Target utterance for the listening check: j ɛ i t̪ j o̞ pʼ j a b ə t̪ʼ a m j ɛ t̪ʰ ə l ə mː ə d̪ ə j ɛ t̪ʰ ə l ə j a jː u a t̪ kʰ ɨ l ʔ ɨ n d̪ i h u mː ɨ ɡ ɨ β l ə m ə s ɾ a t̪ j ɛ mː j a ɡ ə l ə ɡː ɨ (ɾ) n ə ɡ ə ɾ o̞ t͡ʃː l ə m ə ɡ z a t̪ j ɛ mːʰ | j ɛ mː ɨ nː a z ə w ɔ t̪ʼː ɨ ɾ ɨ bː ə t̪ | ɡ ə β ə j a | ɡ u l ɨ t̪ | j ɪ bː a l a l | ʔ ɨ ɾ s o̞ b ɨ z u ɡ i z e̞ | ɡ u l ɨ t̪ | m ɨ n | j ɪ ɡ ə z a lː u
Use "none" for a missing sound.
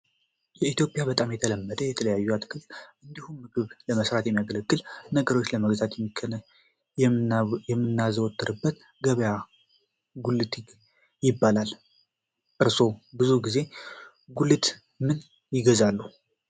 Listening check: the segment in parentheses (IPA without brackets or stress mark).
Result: l